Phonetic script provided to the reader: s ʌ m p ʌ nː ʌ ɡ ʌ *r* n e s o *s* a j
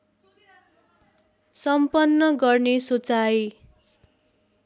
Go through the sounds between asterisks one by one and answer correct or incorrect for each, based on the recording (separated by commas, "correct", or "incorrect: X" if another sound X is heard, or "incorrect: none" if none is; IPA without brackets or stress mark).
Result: correct, incorrect: t͡s